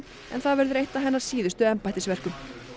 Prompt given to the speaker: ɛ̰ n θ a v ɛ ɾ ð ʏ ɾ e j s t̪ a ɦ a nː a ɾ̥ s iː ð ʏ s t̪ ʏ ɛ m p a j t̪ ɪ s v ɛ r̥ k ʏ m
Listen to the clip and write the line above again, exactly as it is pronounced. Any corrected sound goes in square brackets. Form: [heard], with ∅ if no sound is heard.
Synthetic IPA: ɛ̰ n θ a v ɛ ɾ ð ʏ ɾ e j [h] t̪ a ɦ [ɛ] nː a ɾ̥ s iː ð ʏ s t̪ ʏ ɛ m p a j t̪ ɪ s v ɛ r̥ k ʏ m